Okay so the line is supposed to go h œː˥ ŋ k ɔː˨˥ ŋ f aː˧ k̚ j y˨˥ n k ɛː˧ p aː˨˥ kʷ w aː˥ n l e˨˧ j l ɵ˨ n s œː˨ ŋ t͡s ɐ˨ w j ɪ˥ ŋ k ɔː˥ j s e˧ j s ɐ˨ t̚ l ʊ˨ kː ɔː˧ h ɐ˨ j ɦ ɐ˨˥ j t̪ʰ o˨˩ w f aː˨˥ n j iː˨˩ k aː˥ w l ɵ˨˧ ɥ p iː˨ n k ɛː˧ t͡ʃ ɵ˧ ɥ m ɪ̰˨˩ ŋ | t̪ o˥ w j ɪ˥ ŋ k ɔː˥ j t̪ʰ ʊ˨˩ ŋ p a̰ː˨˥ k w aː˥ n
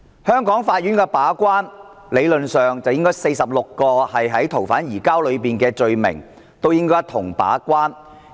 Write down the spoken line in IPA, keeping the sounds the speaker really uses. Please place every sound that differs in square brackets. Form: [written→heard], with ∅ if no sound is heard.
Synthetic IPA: h œː˥ ŋ k ɔː˨˥ ŋ f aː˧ [k̚→t̚] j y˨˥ n k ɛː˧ p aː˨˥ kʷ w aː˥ n l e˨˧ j l ɵ˨ n s œː˨ ŋ t͡s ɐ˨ w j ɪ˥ ŋ k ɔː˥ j s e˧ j s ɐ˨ [t̚→p̚] l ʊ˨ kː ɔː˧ h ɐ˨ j ɦ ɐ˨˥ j t̪ʰ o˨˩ w f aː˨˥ n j iː˨˩ k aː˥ w l ɵ˨˧ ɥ p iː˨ n k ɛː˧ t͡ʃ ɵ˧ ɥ m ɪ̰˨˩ ŋ | t̪ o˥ w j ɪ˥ ŋ k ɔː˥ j t̪ʰ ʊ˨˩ ŋ p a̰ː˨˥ k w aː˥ n